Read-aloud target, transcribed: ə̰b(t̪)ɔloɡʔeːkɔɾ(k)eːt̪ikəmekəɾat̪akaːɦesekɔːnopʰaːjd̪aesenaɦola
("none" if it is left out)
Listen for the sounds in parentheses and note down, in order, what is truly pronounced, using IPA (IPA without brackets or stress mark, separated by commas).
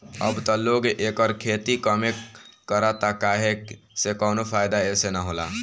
t̪, kʰ